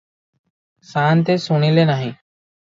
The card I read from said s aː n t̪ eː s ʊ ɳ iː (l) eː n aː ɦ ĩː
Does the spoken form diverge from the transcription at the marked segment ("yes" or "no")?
no